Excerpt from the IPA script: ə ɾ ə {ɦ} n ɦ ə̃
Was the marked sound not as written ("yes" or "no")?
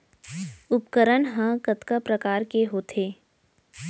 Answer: yes